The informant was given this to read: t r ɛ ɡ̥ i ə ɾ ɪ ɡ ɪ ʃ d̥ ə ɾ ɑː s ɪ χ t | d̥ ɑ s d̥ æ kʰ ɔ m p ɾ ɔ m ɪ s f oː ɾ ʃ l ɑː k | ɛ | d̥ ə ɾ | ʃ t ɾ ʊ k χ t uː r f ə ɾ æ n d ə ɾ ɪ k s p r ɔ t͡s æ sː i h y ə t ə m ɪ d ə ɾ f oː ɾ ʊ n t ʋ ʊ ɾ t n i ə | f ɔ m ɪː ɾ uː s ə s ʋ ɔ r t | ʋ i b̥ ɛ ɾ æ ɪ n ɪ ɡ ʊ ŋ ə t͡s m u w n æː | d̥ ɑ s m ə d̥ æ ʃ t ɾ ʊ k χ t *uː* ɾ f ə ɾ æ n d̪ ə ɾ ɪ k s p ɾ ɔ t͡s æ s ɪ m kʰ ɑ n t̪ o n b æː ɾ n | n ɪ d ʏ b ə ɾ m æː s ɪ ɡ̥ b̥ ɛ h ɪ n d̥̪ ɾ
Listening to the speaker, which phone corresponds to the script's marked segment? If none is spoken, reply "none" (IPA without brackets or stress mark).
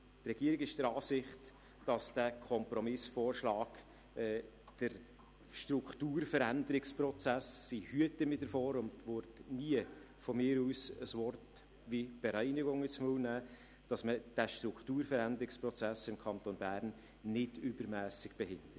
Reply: uː